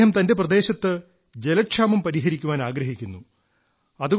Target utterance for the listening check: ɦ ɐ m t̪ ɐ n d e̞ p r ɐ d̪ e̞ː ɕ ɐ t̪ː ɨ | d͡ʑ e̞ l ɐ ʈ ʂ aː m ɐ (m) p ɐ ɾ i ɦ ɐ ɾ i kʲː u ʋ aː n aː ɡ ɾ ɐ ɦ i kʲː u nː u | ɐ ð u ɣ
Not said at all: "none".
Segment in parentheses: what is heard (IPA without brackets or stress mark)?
m